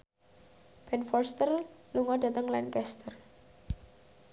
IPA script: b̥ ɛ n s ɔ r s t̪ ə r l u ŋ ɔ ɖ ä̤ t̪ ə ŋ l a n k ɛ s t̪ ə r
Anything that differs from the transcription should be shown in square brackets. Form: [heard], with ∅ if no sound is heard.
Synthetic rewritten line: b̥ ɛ n [f] ɔ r s t̪ ə r l u ŋ ɔ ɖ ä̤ t̪ ə ŋ l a n k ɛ s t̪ ə r